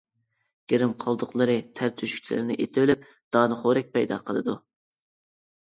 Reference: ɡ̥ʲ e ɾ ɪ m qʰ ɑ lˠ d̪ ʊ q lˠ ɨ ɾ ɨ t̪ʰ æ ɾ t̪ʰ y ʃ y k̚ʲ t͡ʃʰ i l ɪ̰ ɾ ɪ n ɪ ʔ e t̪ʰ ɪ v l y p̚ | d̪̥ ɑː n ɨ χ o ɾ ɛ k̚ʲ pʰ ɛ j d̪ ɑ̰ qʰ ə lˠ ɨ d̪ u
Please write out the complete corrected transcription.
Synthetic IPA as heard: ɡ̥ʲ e ɾ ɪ m qʰ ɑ lˠ d̪ ʊ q lˠ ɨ ɾ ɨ t̪ʰ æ ɾ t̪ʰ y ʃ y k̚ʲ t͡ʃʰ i l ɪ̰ ɾ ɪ n ɪ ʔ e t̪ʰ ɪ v l y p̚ | d̪̥ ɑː n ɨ χ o ɾ ɛ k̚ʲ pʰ ɛ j d̪ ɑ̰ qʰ ə lˠ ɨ d̪ u